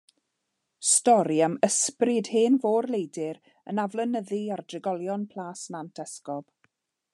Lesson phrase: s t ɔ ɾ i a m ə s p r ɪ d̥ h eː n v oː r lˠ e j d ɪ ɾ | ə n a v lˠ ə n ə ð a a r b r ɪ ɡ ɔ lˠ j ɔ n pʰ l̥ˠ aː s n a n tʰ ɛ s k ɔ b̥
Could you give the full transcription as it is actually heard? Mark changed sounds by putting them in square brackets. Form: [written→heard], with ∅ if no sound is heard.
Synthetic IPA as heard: s t ɔ ɾ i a m ə s p r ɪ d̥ h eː n v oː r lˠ e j d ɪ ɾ | ə n a v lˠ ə n ə ð [a→i] a r [b→d] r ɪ ɡ ɔ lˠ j ɔ n pʰ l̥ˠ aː s n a n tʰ ɛ s k ɔ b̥